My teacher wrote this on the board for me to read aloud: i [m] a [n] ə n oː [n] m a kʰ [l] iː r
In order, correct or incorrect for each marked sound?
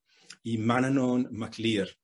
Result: correct, correct, correct, correct

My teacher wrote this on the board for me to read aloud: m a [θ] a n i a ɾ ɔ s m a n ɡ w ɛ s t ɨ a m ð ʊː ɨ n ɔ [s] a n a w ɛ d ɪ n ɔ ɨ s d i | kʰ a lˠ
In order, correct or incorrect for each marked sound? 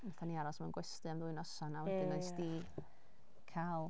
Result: correct, correct

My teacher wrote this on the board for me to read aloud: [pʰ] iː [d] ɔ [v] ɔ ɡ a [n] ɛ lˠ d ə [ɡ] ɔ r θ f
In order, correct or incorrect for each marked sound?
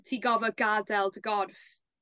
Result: incorrect, incorrect, correct, incorrect, correct

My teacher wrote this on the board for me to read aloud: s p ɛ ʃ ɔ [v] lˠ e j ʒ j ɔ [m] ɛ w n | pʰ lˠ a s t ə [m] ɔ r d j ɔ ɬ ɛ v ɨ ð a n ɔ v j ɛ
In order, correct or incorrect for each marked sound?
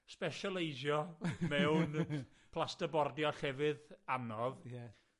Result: incorrect, correct, incorrect

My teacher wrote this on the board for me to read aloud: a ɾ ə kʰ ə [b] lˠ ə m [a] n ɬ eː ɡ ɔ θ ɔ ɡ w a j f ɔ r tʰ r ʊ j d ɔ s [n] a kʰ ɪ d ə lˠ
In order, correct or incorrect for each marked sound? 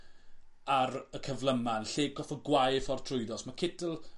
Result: incorrect, correct, incorrect

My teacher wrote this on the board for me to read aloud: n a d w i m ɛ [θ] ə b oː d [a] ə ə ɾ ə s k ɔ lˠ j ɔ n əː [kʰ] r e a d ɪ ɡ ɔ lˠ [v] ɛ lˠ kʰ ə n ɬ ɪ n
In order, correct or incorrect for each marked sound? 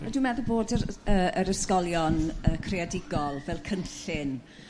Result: incorrect, incorrect, correct, correct

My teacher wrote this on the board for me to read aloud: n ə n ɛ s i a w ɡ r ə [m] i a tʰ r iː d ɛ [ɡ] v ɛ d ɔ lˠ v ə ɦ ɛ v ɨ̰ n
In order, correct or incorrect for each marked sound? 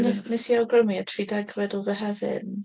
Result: correct, correct

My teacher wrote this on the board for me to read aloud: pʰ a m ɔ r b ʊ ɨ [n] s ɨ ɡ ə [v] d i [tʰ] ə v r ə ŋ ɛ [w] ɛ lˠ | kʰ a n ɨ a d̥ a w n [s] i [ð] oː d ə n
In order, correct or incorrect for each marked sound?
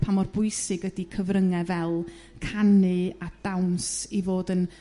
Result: incorrect, incorrect, incorrect, incorrect, correct, incorrect

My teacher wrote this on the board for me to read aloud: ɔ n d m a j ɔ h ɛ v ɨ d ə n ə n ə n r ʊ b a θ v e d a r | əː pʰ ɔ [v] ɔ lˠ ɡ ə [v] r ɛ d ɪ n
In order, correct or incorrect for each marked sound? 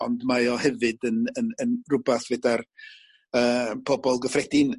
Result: incorrect, incorrect

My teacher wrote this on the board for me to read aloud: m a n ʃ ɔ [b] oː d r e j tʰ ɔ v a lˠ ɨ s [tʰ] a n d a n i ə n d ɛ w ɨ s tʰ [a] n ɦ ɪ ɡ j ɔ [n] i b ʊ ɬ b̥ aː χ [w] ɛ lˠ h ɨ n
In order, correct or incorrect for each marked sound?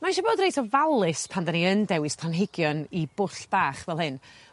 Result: correct, incorrect, correct, correct, incorrect

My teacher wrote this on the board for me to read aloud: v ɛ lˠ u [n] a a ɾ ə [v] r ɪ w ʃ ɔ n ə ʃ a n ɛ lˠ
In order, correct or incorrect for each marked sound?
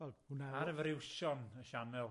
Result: correct, correct

